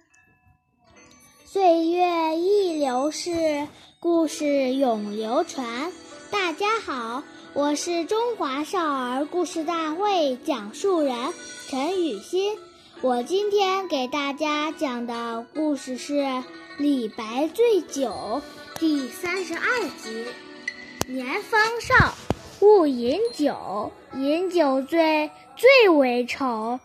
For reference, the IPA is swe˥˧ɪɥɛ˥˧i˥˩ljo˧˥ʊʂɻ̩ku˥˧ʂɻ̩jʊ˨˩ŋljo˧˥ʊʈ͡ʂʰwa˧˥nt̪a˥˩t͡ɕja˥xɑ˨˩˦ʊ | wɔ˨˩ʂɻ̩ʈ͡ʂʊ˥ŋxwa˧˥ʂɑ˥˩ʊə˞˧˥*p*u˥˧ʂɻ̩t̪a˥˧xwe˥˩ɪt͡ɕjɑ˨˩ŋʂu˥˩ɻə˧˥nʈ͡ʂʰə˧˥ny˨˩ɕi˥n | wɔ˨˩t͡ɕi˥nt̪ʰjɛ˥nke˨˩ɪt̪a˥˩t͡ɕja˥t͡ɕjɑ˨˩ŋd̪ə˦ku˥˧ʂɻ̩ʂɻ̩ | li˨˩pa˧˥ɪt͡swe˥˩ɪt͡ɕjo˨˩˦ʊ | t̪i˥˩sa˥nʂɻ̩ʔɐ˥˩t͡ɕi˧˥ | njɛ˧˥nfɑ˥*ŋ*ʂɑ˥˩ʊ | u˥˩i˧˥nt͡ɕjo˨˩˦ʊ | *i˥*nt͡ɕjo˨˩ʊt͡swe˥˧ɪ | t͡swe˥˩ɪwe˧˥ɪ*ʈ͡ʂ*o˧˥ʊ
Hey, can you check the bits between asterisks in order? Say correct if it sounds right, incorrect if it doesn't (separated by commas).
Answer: incorrect, correct, incorrect, incorrect